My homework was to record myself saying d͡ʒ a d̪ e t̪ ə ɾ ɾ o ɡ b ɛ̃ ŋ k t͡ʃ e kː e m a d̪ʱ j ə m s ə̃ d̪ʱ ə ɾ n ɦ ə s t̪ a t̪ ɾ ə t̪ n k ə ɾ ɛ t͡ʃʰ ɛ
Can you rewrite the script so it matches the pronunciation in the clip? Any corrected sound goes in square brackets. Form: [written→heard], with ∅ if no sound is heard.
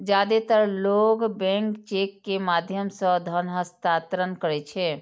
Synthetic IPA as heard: d͡ʒ a d̪ e t̪ ə ɾ [ɾ→l] o ɡ b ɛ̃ ŋ k t͡ʃ e kː e m a d̪ʱ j ə m s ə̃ d̪ʱ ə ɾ n ɦ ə s t̪ a t̪ ɾ ə [t̪→∅] n k ə ɾ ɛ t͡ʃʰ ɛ